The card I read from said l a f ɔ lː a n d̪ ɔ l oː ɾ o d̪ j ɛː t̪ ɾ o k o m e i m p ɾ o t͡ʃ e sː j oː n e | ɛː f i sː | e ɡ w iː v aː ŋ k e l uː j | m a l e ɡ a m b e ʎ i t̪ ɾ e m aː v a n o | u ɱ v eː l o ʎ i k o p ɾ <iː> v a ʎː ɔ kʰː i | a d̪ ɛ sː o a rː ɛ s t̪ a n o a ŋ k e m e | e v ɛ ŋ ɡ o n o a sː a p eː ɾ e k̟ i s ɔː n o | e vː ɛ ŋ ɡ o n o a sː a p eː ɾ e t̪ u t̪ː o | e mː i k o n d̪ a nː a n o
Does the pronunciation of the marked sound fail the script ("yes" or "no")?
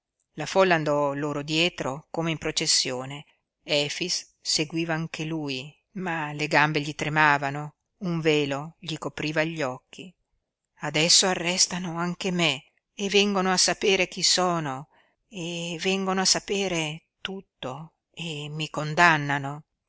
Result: no